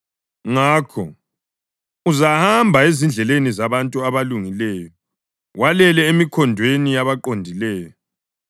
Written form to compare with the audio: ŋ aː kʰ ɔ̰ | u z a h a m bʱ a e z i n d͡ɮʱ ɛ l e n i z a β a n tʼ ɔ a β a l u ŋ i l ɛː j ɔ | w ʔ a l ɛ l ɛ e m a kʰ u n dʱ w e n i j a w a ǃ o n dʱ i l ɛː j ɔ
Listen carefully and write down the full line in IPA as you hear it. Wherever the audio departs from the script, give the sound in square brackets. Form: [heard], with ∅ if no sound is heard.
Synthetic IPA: ŋ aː kʰ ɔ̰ | u z a h a m bʱ a e z i n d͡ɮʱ ɛ l e n i z a β a n tʼ [u] a β a l u ŋ i l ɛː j ɔ | w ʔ a l ɛ l ɛ e m [i] kʰ [ɔ] n dʱ w e n i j a [β] a ǃ o n dʱ i l ɛː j ɔ